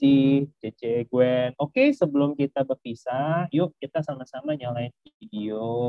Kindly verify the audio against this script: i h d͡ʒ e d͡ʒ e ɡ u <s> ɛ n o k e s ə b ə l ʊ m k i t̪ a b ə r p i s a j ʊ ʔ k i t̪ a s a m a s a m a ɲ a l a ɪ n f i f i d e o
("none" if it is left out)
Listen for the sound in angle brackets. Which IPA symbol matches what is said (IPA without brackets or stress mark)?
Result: none